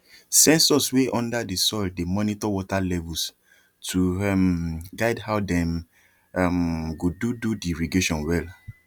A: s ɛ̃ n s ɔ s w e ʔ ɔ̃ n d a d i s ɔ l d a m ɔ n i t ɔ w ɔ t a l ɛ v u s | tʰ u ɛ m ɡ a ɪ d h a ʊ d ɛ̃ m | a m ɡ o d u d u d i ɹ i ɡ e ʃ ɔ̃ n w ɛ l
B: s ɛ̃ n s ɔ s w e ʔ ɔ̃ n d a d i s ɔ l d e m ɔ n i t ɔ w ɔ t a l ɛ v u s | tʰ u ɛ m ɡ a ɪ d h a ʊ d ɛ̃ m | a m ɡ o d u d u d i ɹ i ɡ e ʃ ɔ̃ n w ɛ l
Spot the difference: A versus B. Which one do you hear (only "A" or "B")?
B